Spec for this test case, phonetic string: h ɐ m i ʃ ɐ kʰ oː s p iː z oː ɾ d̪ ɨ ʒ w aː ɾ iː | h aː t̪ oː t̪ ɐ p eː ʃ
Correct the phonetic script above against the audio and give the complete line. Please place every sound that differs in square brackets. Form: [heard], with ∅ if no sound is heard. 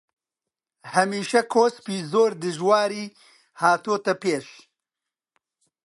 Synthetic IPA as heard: h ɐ m [iː] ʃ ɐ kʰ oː s p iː z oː ɾ d̪ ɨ ʒ w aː ɾ iː | h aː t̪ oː t̪ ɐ p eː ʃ